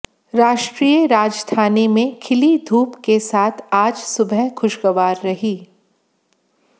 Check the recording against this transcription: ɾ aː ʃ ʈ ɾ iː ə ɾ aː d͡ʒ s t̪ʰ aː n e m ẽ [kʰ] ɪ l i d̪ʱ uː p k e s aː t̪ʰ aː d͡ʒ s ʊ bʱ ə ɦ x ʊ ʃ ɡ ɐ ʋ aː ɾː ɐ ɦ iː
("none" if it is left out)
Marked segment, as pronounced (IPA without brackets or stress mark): kʰ